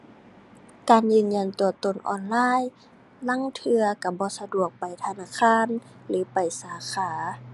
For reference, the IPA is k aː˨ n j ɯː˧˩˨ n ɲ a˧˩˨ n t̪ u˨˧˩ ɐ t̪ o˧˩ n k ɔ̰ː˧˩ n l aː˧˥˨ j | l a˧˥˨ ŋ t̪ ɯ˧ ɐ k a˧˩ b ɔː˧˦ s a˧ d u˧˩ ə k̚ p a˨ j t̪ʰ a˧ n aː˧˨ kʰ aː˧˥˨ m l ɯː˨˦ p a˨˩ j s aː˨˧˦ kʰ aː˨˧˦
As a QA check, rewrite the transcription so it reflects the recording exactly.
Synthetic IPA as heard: k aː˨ n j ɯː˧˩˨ n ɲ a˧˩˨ n t̪ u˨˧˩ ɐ t̪ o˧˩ n ʔ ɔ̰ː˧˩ n l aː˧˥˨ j | l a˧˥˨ ŋ t̪ʰ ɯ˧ ɐ k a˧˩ b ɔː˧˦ s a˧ d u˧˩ ə k̚ p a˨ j t̪ʰ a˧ n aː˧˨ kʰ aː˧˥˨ n l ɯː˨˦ p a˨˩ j s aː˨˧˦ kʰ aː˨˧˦

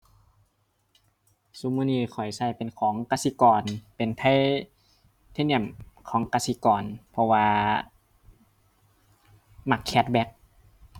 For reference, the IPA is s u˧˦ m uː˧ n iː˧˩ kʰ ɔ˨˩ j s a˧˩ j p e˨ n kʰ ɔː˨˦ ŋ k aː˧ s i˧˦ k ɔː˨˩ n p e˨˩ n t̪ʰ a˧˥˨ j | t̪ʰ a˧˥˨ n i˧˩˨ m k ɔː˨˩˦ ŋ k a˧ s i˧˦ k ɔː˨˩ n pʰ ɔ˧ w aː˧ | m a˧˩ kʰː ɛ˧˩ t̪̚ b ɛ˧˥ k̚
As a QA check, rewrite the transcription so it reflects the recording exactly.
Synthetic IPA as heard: s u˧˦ m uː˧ n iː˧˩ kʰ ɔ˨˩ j s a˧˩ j p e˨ n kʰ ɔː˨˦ ŋ k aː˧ s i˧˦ k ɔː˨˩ n p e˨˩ n t̪ʰ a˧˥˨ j | t̪ʰ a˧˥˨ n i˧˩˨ m kʰ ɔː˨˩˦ ŋ k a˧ s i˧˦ k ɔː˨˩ n pʰ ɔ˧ w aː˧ | m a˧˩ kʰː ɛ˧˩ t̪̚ b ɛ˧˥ k̚

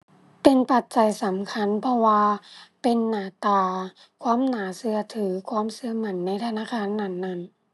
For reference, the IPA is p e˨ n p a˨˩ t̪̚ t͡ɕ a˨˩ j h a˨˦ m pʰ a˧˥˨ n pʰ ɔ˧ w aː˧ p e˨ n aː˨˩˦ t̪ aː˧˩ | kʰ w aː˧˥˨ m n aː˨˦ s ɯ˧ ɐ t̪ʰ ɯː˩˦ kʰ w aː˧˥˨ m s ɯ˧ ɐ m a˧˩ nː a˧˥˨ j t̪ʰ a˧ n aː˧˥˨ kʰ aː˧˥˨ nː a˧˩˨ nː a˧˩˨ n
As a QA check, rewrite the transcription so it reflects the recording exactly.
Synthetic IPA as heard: p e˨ n p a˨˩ t̪̚ t͡ɕ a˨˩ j s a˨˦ m kʰ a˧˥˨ n pʰ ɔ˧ w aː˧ p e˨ nː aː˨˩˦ t̪ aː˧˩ | kʰ w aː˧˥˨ m n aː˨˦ s ɯ˧ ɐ t̪ʰ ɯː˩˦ kʰ w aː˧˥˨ m s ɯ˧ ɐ m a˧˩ nː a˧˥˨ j t̪ʰ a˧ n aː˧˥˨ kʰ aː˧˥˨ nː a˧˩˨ nː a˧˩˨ n

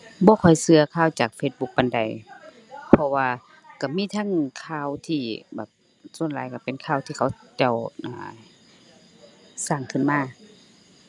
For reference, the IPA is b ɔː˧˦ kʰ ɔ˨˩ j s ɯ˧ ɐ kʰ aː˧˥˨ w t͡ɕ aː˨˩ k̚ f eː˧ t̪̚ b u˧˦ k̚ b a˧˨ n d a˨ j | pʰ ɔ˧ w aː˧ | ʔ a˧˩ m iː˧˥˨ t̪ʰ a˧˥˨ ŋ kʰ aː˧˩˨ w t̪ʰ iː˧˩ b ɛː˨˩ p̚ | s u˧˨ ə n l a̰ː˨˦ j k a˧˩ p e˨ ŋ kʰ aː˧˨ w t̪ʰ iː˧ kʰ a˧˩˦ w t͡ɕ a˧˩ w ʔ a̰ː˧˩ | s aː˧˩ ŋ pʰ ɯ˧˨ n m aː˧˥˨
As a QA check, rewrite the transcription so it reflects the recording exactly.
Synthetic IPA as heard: b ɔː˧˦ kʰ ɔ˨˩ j s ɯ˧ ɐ kʰ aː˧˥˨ w t͡ɕ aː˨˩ k̚ f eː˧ t̪̚ b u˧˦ k̚ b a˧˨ n d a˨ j | pʰ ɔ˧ w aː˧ | k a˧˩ m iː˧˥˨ t̪ʰ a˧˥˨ ŋ kʰ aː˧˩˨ w t̪ʰ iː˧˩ b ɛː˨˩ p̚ | s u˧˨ ə n l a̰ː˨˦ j k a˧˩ p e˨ n kʰ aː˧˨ w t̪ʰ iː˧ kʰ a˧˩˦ w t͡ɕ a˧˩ w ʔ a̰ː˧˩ | s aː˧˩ ŋ kʰ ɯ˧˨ n m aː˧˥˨

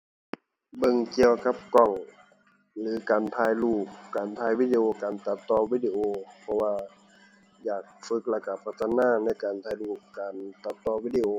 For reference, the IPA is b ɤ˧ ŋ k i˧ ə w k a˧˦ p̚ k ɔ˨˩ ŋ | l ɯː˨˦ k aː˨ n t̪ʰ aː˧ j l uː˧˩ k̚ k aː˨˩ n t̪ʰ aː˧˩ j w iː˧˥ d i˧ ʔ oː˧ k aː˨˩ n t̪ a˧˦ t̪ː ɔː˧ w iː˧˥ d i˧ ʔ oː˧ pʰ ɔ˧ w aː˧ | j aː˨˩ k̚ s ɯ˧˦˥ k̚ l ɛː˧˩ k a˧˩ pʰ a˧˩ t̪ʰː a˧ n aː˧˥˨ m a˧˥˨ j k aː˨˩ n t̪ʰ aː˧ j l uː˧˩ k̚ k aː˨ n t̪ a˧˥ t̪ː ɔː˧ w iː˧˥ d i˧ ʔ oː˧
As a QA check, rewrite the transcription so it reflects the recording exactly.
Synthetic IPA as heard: b ɤ˧ ŋ k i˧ ə w k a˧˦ p̚ k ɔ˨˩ ŋ | l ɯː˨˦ k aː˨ n t̪ʰ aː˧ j l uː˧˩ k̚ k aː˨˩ n t̪ʰ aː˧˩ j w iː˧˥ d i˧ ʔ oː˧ k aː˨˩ n t̪ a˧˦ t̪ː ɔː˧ w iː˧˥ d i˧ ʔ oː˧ pʰ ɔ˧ w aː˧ | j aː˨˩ k̚ f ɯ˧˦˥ k̚ l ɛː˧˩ k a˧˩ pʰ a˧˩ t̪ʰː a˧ n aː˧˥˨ n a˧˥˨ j k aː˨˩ n t̪ʰ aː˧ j l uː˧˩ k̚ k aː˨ n t̪ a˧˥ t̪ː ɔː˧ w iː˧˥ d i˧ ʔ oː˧

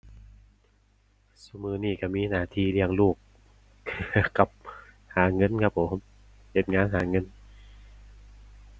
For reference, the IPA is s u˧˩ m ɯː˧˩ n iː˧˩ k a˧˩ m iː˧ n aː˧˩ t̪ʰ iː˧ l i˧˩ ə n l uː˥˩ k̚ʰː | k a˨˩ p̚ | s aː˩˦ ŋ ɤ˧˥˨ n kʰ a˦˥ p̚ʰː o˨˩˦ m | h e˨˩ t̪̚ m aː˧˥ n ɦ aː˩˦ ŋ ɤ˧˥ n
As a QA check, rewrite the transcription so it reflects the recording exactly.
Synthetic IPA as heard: s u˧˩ m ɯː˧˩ n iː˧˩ k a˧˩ m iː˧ n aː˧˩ t̪ʰ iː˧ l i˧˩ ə ŋ l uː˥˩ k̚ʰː | k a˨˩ p̚ | h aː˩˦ ŋ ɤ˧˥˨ n kʰ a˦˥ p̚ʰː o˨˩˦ m | h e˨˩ t̪̚ ŋ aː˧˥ n ɦ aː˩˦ ŋ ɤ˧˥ n

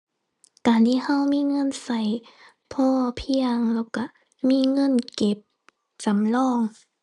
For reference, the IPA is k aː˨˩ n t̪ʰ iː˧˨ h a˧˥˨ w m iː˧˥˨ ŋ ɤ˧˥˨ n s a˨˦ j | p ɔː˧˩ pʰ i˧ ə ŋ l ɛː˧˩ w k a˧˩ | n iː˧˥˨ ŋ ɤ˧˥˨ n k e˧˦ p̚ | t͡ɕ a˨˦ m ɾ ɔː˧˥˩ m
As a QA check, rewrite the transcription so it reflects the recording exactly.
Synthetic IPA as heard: k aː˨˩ n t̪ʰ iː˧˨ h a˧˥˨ w m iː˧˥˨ ŋ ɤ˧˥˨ n s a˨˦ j | pʰ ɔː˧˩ pʰ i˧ ə ŋ l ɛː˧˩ w k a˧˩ | m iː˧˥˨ ŋ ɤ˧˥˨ n k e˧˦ p̚ | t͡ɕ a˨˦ m l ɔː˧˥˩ ŋ

